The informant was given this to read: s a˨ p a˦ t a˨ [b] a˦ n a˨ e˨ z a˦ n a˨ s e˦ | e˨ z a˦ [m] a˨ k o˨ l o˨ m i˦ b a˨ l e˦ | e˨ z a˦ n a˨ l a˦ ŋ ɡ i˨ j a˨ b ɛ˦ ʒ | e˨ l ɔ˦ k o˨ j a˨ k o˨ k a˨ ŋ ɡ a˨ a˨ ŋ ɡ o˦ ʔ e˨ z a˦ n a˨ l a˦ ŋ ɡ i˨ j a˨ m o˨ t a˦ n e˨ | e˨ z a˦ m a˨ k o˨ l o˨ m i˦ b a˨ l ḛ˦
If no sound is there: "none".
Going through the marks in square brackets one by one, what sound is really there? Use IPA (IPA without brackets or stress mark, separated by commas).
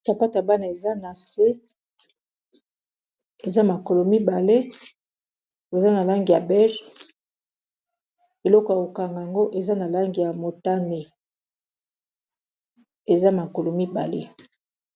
b, m